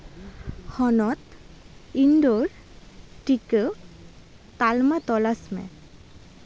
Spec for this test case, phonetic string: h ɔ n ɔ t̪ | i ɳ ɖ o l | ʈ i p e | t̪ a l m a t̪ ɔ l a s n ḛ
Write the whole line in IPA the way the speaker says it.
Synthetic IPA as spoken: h ɔ n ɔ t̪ | i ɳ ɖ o ɾ | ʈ i k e | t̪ a l m a t̪ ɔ l a s m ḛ

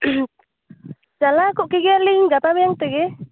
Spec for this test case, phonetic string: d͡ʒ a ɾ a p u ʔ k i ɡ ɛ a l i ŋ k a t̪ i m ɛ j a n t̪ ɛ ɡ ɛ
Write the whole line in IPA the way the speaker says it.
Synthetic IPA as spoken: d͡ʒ a l a k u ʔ k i ɡ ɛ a l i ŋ ɡ a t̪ a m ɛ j a ŋ t̪ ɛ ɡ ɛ

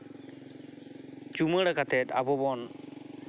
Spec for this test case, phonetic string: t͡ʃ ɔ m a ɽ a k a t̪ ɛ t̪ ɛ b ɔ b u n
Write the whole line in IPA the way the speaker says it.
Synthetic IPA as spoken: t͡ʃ u m ə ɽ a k a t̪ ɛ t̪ a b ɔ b ɔ n

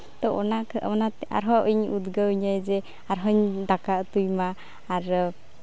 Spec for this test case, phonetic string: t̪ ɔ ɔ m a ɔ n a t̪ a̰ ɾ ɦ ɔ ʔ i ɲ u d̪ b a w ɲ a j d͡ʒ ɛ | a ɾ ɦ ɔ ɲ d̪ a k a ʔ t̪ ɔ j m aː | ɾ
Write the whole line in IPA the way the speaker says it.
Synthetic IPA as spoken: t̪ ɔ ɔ n a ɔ n a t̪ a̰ ɾ ɦ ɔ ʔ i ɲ u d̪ ɡ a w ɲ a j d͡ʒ ɛ | a ɾ ɦ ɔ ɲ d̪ a k a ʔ t̪ u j m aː | ɾ

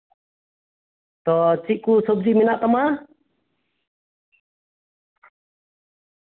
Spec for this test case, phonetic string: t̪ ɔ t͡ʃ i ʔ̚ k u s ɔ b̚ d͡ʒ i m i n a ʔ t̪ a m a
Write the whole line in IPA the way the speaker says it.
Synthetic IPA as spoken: t̪ ɔ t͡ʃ i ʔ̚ k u s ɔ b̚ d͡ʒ i m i n a ʔ t̪ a m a

